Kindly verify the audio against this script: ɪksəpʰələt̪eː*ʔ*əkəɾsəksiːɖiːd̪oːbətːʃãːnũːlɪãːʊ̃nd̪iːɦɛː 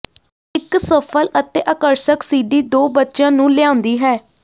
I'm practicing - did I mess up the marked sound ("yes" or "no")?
no